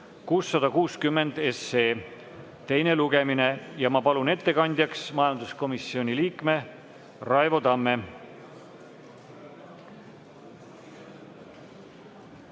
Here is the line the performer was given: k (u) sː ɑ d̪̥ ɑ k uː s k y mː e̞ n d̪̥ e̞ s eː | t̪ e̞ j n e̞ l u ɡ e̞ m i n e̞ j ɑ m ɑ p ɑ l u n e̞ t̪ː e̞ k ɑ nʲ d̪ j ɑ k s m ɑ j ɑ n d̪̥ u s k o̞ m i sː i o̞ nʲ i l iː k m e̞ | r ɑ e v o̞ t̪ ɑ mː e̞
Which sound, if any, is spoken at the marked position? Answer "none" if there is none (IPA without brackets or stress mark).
uː